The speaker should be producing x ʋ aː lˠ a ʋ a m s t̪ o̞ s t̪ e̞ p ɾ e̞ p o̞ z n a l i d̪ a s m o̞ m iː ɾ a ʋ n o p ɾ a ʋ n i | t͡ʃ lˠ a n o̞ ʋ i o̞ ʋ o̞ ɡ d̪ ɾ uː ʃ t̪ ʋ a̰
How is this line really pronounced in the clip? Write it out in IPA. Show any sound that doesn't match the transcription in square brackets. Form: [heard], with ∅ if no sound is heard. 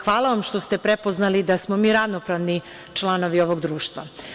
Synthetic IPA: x ʋ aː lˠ a ʋ a m [ʃ] t̪ o̞ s t̪ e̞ p ɾ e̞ p o̞ z n a l i d̪ a s m o̞ m iː ɾ a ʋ n o p ɾ a ʋ n i | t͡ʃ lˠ a n o̞ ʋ i o̞ ʋ o̞ ɡ d̪ ɾ uː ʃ t̪ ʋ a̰